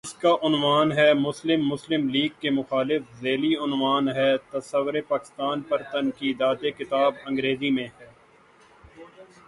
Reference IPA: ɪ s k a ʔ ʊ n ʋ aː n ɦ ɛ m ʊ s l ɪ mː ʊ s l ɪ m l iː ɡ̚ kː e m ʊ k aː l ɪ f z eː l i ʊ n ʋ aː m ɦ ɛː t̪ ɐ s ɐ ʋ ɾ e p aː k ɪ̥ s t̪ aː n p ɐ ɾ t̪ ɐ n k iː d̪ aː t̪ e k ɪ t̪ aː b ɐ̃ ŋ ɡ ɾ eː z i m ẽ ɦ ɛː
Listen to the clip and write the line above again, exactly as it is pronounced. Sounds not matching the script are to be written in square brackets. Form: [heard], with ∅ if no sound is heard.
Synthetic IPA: ɪ s k a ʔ ʊ n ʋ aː n ɦ ɛ m ʊ s l ɪ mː ʊ s l ɪ m l iː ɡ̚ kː e m ʊ [x] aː l ɪ f z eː l i ʊ n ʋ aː [n] ɦ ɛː t̪ ɐ s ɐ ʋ ɾ e p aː k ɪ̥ s t̪ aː n p ɐ ɾ t̪ ɐ n k iː d̪ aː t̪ e k ɪ t̪ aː b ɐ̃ ŋ ɡ ɾ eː z i m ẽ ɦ ɛː

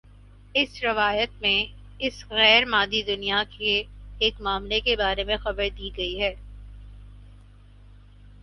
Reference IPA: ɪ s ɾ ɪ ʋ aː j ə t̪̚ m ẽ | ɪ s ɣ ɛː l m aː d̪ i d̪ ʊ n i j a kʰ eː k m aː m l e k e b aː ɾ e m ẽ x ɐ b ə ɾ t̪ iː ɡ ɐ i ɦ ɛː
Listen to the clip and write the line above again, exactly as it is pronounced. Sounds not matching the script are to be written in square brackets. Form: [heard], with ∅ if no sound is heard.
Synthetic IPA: ɪ s ɾ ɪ ʋ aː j ə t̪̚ m ẽ | ɪ s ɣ ɛː [ɾ] m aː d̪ i d̪ ʊ n i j a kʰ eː k m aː m l e k e b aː ɾ e m ẽ x ɐ b ə ɾ [d̪] iː ɡ ɐ i ɦ ɛː

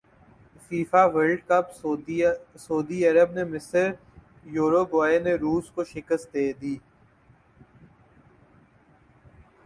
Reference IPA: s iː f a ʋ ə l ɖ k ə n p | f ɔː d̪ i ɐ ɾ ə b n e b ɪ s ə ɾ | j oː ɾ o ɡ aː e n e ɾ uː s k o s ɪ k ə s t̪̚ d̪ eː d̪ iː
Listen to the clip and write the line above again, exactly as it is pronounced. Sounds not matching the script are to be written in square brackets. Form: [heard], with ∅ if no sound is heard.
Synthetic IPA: [f] iː f a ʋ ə l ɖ k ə [∅] p | [s] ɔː d̪ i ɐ ɾ ə b n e [m] ɪ s ə ɾ | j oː ɾ o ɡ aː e n e ɾ uː s k o [ʃ] ɪ k ə s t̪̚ d̪ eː d̪ iː

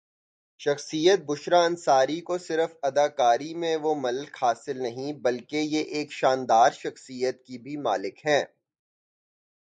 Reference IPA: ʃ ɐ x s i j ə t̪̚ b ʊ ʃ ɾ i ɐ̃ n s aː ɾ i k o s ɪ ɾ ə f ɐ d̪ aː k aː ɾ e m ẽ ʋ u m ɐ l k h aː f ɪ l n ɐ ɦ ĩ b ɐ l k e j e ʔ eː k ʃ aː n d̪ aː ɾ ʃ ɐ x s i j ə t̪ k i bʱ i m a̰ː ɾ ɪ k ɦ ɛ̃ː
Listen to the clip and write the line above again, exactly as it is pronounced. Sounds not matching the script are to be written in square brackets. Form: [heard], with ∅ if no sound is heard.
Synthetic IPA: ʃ ɐ x s i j ə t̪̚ b ʊ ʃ ɾ [a] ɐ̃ n s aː ɾ i k o s ɪ ɾ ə f ɐ d̪ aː k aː ɾ [i] m ẽ ʋ [o] m ɐ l k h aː [s] ɪ l n ɐ ɦ ĩ b ɐ l k e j e ʔ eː k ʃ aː n d̪ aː ɾ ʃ ɐ x s i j ə t̪ k i bʱ i m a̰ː [l] ɪ k ɦ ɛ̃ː

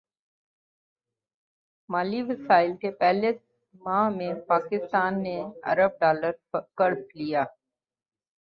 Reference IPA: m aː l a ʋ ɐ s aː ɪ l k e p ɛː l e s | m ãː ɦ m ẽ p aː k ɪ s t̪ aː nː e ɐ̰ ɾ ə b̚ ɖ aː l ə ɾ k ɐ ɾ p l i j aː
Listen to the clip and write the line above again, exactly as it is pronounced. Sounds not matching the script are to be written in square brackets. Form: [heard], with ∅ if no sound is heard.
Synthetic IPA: m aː l [i] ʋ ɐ s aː ɪ l k e p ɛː l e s | m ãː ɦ m ẽ p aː k ɪ s t̪ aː nː e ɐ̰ ɾ ə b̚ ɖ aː l ə ɾ k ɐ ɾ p l i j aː

